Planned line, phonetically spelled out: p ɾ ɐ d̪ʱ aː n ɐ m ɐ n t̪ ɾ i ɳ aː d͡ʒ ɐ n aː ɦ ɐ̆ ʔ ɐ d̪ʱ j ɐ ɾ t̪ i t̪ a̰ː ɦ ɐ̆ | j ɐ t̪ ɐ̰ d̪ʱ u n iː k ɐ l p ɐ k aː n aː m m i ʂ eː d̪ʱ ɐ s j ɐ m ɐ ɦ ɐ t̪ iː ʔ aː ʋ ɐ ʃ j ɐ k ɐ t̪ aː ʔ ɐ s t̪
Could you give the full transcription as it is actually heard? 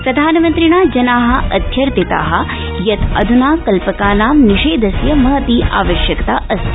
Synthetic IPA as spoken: p ɾ ɐ d̪ʱ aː n ɐ m ɐ n t̪ ɾ i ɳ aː d͡ʒ ɐ n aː ɦ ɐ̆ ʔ ɐ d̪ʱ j ɐ ɾ t̪ i t̪ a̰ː ɦ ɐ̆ | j ɐ t̪ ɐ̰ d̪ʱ u n aː k ɐ l p ɐ k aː n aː m n i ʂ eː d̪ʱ ɐ s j ɐ m ɐ ɦ ɐ t̪ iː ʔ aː ʋ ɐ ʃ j ɐ k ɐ t̪ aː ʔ ɐ s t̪